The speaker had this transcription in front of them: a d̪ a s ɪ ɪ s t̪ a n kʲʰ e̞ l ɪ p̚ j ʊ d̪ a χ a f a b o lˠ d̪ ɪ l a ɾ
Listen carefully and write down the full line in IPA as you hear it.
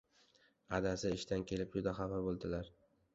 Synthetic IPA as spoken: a d̪ a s ɪ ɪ ʃ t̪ a n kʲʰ e̞ l ɪ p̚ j ʊ d̪ a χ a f a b o lˠ d̪ ɪ l a ɾ